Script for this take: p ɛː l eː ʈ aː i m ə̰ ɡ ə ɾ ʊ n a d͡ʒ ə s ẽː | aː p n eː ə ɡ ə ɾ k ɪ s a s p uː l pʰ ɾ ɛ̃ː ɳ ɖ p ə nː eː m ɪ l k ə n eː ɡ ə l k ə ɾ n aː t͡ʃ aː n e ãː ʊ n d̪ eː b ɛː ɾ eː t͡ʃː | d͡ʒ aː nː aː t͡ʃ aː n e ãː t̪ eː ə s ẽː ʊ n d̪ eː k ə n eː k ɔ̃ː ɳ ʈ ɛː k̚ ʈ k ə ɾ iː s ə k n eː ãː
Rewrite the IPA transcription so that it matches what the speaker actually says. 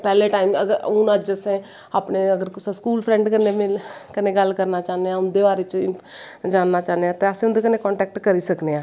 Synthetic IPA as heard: p ɛː l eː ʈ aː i m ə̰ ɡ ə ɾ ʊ n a d͡ʒ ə s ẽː | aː p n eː ə ɡ ə ɾ k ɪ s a s k uː l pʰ ɾ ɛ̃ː ɳ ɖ k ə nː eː m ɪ l k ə n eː ɡ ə l k ə ɾ n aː t͡ʃ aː n e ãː ʊ n d̪ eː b aː ɾ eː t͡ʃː | d͡ʒ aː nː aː t͡ʃ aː n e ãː t̪ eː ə s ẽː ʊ n d̪ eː k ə n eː k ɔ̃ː ɳ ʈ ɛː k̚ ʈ k ə ɾ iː s ə k n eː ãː